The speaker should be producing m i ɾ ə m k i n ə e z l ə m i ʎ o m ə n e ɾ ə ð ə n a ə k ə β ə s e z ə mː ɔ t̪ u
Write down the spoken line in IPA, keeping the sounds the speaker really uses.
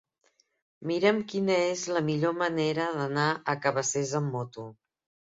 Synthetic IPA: m i ɾ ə m k i n ə e z l ə m i ʎ o m ə n e ɾ ə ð ə n a ə k ə β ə s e z ə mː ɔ t̪ u